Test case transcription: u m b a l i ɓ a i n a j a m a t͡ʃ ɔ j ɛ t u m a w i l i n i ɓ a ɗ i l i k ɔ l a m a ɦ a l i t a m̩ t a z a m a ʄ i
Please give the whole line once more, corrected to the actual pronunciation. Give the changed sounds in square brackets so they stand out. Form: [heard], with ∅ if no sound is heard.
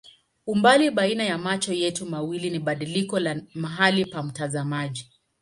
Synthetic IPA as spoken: u m b a l i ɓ a i n a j a m a t͡ʃ ɔ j ɛ t u m a w i l i n i ɓ a ɗ i l i k ɔ l a m a ɦ a l i [p] a m̩ t a z a m a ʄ i